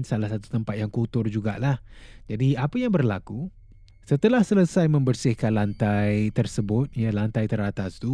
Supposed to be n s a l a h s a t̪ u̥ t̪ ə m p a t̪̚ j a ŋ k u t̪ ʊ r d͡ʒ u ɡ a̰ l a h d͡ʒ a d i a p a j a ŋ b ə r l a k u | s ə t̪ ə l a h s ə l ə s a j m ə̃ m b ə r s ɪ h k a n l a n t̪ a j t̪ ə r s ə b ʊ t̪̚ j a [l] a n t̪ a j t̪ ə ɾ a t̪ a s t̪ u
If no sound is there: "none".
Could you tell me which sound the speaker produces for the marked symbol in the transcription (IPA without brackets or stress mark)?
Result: l